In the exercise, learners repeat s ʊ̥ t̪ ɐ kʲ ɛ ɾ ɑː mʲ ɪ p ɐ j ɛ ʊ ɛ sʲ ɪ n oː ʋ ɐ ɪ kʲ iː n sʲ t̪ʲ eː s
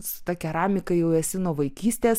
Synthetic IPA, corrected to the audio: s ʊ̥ t̪ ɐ kʲ ɛ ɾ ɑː mʲ ɪ k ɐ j ɛ ʊ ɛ sʲ ɪ n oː ʋ ɐ ɪ kʲ iː sʲ t̪ʲ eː s